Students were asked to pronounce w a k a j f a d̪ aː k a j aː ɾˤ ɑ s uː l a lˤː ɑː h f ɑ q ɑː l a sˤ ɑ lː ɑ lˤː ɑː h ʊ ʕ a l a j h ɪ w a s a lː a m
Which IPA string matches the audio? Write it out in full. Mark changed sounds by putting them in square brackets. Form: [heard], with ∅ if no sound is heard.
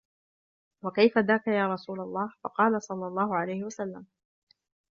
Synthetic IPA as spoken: w a k a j f a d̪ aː k a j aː ɾˤ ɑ s uː l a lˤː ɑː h f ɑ q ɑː l a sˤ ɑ lː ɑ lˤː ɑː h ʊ ʕ a l a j h ɪ w a s a lː a m